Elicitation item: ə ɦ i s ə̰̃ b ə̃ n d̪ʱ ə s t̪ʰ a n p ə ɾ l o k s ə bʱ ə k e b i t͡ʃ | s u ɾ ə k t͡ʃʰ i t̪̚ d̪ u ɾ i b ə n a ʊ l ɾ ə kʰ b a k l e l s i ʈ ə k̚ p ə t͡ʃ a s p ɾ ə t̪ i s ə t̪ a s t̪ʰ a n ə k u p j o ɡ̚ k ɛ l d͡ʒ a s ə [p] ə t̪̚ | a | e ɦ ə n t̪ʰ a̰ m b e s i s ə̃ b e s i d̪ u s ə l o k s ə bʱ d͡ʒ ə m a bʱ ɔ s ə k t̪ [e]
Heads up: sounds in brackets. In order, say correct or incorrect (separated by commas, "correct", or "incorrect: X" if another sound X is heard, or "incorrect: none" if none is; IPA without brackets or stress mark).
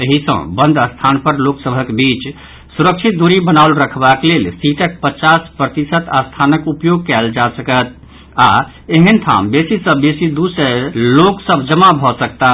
incorrect: k, incorrect: a